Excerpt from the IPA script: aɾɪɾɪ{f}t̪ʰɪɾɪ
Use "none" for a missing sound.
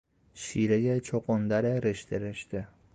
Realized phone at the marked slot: ʃ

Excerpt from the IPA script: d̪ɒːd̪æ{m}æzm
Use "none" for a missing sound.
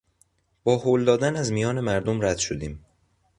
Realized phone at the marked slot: n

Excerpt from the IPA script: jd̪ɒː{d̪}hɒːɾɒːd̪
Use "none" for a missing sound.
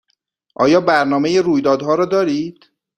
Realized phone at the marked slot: d̪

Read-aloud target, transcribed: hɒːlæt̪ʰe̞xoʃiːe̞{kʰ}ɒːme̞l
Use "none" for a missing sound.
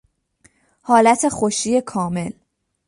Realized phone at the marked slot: kʰ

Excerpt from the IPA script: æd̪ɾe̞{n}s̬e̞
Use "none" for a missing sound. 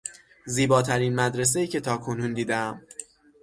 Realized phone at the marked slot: none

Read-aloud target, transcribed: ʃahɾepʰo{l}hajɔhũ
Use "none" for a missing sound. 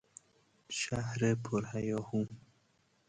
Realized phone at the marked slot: ɾ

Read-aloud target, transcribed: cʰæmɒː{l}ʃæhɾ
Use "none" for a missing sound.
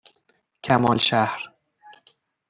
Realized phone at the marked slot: l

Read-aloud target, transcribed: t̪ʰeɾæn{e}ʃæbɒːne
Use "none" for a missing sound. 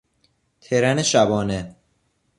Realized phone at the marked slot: e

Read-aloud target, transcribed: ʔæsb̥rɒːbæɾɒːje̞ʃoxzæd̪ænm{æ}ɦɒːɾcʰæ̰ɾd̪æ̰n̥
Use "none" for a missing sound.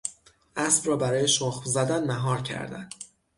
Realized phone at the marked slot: æ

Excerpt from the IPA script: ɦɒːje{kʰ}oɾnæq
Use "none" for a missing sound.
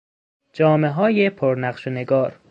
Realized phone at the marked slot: pʰ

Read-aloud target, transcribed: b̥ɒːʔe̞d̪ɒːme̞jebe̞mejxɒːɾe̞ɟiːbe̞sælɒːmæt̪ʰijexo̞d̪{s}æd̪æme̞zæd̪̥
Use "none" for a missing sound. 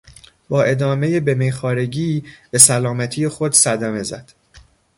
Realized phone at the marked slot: s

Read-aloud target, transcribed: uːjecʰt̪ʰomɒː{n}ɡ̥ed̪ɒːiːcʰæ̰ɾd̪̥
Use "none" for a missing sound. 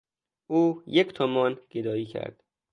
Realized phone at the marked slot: n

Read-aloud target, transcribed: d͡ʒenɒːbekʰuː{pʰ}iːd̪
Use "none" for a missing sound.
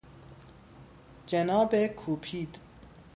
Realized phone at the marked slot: pʰ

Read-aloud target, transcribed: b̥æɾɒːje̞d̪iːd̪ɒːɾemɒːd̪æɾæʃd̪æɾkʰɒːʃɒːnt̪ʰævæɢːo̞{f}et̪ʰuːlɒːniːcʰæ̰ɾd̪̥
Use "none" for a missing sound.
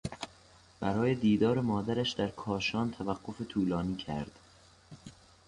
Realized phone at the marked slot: f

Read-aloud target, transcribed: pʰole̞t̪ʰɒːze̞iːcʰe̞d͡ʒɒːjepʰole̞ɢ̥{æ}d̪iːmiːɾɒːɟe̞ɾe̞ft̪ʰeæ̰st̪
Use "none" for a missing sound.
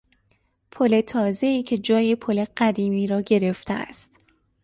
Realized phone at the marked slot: æ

